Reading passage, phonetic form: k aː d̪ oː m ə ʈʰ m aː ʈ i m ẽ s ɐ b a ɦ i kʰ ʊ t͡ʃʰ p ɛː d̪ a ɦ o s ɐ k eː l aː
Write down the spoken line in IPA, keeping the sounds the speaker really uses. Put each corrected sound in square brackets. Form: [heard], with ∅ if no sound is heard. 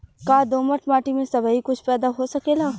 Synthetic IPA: k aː d̪ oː m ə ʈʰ m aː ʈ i m ẽ s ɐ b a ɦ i [k] ʊ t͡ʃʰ p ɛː d̪ a ɦ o s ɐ k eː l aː